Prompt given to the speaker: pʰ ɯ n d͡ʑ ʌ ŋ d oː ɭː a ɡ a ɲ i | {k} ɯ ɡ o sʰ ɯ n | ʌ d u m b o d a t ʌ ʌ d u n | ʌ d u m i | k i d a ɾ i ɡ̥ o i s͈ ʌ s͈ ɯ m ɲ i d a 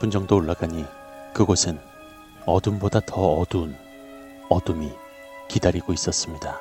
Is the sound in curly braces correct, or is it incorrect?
correct